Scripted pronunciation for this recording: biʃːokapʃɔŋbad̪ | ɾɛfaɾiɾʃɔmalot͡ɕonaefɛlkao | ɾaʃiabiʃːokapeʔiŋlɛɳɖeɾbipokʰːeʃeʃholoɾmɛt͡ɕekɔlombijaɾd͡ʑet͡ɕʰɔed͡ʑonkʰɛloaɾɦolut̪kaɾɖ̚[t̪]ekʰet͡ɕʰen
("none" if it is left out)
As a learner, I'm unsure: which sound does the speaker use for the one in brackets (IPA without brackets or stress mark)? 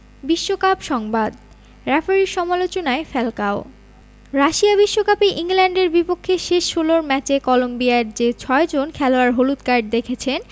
d̪